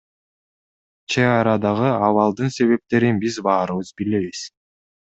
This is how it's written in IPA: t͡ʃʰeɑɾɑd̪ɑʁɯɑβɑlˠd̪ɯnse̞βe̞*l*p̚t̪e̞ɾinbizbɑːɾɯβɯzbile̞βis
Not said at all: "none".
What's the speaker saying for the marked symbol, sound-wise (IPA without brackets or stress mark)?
none